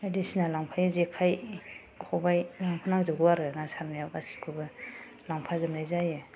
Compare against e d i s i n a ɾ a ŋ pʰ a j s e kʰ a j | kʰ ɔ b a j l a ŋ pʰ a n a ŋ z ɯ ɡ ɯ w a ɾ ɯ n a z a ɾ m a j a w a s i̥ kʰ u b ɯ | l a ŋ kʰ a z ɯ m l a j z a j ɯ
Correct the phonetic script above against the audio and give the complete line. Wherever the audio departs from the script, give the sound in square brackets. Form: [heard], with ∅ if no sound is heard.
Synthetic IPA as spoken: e d i s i n a [l] a ŋ pʰ a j [z] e kʰ a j | kʰ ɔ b a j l a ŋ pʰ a n a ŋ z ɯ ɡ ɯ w a ɾ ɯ n a [s] a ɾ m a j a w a s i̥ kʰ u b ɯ | l a ŋ [pʰ] a z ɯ m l a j z a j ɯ